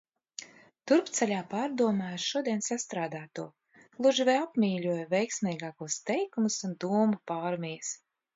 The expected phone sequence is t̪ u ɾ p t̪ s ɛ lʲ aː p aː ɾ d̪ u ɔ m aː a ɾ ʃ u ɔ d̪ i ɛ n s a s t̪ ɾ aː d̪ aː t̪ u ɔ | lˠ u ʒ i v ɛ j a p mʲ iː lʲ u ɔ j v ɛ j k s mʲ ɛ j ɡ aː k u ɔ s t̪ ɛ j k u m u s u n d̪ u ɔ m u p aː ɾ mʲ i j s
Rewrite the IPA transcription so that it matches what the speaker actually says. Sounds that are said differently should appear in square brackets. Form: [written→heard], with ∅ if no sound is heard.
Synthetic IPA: t̪ u ɾ p t̪ s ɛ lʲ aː p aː ɾ d̪ u ɔ m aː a ɾ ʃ u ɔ d̪ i ɛ n s a s t̪ ɾ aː d̪ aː t̪ u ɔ | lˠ u ʒ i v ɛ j a p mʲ iː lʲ u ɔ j v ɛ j k s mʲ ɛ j ɡ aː k u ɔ s t̪ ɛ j k u m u s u n d̪ u ɔ m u p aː ɾ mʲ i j s